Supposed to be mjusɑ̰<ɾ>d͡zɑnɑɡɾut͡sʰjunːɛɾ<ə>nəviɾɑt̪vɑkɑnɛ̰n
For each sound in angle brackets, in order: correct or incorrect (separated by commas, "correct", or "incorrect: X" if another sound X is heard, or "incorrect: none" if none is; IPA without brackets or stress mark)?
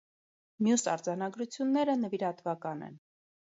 correct, correct